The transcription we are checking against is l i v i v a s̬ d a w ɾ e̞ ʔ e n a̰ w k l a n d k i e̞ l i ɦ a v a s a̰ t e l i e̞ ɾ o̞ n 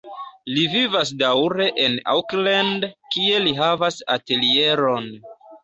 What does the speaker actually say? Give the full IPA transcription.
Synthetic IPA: l i v i v a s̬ d a w ɾ e̞ ʔ e n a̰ w k l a n d k i e̞ l i ɦ a v a s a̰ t e l i e̞ ɾ o̞ n